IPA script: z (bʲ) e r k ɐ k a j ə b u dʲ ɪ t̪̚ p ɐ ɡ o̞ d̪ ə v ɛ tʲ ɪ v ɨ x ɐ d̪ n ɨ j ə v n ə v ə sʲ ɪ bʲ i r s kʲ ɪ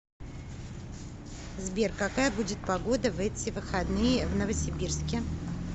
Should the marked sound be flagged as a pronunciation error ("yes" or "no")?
no